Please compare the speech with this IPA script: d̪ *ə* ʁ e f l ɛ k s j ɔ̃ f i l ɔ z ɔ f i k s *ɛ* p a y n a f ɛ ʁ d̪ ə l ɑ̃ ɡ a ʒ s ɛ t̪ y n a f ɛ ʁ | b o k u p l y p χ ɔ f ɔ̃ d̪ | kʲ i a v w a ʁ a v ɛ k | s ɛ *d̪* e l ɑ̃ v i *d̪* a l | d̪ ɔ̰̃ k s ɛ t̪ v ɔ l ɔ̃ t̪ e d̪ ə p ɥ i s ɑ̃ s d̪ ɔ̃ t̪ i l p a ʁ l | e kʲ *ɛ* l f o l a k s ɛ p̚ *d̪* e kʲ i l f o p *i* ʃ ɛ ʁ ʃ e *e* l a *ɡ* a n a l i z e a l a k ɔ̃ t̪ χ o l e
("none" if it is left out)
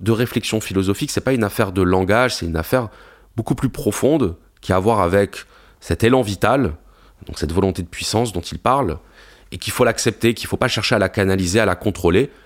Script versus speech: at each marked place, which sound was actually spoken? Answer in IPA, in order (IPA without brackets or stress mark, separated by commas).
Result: ə, ɛ, t̪, t̪, i, t̪, a, a, k